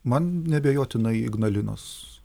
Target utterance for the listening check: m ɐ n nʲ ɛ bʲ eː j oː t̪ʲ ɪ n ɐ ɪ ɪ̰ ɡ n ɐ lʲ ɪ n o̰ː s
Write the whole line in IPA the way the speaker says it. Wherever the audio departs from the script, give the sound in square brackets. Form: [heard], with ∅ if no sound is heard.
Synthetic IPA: m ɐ n nʲ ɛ bʲ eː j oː t̪ʲ ɪ n ɐ ɪ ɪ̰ ɡ n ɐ lʲ ɪ n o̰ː s

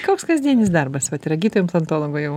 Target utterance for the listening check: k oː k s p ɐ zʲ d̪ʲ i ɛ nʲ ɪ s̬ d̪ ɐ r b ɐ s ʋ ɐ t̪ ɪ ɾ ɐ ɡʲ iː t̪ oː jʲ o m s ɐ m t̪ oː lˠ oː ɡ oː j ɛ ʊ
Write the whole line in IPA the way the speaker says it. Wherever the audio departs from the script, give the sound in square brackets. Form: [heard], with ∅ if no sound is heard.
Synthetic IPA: k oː k s [k] ɐ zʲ d̪ʲ i ɛ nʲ ɪ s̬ d̪ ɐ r b ɐ s ʋ ɐ t̪ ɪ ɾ ɐ ɡʲ iː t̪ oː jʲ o m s ɐ [n] t̪ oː lˠ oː ɡ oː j ɛ ʊ

